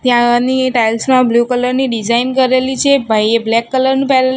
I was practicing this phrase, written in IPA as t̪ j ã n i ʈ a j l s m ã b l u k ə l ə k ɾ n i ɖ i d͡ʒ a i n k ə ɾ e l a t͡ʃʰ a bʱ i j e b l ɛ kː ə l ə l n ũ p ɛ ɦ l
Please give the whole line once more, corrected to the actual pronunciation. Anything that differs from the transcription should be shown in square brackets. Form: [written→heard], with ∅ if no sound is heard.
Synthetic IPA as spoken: t̪ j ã n i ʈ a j l s m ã b l u k ə l ə [k→∅] ɾ n i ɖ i d͡ʒ a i n k ə ɾ e l [a→i] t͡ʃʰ [a→e] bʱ [i→a] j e b l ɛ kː ə l ə [l→ɾ] n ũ p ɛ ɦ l